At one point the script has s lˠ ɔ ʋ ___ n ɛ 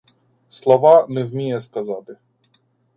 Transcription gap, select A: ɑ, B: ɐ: A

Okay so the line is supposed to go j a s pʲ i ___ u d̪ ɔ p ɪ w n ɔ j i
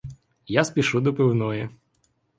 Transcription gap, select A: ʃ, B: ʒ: A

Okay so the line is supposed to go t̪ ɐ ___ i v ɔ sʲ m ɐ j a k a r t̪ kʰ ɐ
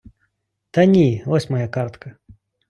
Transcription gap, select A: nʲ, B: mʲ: A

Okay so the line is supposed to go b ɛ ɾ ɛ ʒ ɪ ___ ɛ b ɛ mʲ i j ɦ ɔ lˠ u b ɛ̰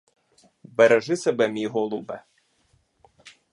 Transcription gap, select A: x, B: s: B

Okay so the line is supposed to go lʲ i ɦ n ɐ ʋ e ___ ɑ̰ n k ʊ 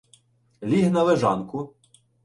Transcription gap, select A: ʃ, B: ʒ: B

